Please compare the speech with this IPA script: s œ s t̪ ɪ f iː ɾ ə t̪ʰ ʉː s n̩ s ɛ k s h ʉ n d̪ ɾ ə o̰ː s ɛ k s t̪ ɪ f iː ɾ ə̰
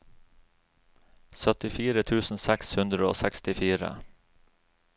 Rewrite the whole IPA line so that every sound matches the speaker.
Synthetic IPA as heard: s œ t̪ ɪ f iː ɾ ə t̪ʰ ʉː s n̩ s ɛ k s h ʉ n d̪ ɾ ə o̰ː s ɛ k s t̪ ɪ f iː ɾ ə̰